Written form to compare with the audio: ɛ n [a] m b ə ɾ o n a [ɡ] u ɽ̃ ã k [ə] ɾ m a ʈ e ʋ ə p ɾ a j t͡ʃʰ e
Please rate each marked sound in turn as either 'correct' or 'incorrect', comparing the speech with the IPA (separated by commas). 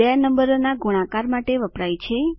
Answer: incorrect, correct, incorrect